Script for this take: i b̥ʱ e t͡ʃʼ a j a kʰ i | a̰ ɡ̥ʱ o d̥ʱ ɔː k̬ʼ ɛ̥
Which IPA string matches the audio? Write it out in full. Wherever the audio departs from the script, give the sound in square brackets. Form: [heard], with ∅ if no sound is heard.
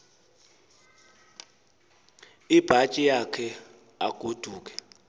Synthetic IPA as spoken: i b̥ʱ [a] t͡ʃʼ [i] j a kʰ [ɛ] | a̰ ɡ̥ʱ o d̥ʱ [uː] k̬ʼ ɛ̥